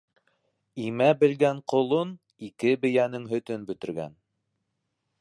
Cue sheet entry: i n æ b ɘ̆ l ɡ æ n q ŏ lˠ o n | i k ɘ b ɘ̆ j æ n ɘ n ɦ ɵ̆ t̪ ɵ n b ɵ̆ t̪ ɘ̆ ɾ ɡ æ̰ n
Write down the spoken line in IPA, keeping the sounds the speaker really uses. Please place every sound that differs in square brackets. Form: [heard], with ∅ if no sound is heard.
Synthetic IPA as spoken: i [m] æ b ɘ̆ l ɡ æ [ɴ] q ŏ lˠ o n | i k ɘ b ɘ̆ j æ n ɘ [ŋ] ɦ ɵ̆ t̪ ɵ n b ɵ̆ t̪ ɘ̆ ɾ ɡ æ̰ n